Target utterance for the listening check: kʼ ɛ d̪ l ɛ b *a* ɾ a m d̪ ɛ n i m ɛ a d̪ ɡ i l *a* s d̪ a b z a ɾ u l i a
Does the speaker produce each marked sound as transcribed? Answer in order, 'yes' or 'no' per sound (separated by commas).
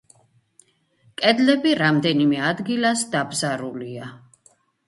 no, yes